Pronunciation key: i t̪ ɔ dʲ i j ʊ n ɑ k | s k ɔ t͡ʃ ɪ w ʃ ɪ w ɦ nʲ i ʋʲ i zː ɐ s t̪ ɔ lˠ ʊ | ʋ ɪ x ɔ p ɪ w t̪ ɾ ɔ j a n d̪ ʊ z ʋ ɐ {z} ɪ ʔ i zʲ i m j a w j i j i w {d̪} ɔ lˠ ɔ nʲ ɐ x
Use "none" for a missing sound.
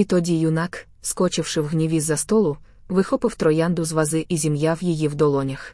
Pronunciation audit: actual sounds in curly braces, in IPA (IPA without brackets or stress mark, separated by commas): z, d̪